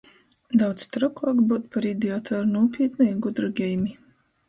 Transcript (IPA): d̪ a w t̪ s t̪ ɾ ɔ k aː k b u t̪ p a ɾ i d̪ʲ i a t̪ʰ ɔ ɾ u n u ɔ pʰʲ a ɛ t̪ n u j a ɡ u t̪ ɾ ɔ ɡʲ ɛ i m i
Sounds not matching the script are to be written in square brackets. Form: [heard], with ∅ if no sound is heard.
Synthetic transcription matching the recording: d̪ a w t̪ s t̪ ɾ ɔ k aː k b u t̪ p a ɾ i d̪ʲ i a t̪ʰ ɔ ɾ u n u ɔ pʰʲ [i] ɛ t̪ n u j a ɡ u [d̪] ɾ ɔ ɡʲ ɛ [j] m i